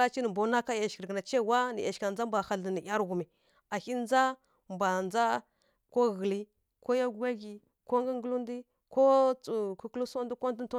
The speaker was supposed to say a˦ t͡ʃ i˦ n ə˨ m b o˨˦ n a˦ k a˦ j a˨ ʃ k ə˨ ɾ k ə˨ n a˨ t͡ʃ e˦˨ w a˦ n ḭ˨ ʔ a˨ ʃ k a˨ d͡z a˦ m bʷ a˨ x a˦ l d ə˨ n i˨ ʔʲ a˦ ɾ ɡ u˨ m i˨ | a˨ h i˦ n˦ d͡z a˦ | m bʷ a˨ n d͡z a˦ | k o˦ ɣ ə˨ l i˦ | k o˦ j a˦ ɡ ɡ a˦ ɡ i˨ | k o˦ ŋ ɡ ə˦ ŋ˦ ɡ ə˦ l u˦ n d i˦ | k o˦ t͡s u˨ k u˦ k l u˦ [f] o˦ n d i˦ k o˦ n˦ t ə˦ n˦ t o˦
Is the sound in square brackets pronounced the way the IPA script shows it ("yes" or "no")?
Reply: no